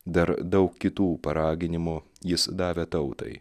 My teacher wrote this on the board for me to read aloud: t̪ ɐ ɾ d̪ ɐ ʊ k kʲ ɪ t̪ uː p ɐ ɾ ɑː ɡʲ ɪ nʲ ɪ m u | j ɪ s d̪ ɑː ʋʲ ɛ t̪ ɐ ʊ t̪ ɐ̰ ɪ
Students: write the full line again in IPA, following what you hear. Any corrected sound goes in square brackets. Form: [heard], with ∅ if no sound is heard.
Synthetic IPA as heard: [d̪] ɐ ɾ d̪ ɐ ʊ k kʲ ɪ t̪ uː p ɐ ɾ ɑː ɡʲ ɪ nʲ ɪ m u | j ɪ s d̪ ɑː ʋʲ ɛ t̪ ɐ ʊ t̪ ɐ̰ ɪ